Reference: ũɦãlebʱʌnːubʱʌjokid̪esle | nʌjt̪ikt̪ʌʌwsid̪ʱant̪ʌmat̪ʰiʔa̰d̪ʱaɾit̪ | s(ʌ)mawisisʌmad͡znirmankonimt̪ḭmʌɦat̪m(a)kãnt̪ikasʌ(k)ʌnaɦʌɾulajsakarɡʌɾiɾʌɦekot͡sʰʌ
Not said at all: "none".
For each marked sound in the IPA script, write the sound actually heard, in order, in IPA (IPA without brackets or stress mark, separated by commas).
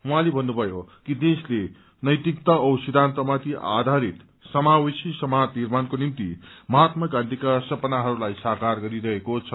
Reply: ʌ, ʌ, p